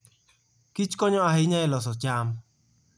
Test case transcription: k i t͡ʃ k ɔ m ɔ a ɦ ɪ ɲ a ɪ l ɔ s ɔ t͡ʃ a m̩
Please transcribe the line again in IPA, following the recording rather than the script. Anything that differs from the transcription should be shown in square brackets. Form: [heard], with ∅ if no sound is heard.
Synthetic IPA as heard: k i t͡ʃ k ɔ [ɲ] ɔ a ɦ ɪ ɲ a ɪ l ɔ s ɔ t͡ʃ a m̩